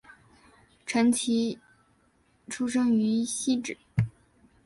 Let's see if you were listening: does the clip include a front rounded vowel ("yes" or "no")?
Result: yes